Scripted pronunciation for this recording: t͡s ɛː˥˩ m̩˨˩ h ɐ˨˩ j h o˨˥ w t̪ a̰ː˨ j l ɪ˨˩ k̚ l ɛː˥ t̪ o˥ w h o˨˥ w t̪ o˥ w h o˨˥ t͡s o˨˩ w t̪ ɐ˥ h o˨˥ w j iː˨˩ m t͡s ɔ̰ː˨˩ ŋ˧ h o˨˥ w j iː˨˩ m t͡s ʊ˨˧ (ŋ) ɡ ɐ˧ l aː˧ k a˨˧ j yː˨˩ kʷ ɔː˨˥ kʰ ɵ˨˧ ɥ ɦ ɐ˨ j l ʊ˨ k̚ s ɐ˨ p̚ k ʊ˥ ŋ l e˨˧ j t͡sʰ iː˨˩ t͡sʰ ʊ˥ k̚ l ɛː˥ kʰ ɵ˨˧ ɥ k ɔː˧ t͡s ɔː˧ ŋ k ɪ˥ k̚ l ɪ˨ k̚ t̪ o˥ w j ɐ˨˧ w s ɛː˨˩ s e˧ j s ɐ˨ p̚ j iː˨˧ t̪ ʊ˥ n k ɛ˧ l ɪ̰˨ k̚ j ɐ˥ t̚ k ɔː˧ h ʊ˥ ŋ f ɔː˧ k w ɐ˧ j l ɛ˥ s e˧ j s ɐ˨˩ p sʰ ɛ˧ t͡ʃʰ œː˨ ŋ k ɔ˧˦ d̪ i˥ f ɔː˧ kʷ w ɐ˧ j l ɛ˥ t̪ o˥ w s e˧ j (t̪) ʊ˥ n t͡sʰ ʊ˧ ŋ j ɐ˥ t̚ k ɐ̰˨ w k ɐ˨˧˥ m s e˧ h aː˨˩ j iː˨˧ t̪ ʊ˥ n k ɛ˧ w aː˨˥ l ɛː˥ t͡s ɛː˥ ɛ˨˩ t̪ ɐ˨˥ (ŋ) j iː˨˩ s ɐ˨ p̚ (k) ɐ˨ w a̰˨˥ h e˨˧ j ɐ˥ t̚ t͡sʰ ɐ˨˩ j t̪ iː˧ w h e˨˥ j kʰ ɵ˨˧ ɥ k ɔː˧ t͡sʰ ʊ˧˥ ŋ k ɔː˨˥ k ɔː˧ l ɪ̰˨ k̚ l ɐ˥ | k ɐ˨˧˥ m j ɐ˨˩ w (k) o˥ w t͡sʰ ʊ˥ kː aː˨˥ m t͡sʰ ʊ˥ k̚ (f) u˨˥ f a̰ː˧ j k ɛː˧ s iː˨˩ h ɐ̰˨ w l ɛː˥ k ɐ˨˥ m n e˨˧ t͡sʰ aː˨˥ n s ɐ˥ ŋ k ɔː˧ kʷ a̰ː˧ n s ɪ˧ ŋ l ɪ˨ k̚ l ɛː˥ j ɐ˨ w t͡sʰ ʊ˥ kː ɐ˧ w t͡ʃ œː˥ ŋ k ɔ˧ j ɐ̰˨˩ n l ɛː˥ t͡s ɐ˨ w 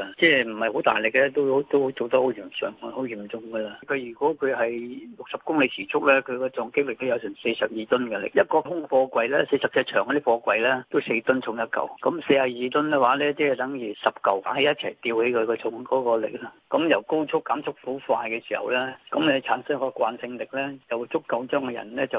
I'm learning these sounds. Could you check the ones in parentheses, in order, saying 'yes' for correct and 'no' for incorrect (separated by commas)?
yes, yes, yes, yes, yes, yes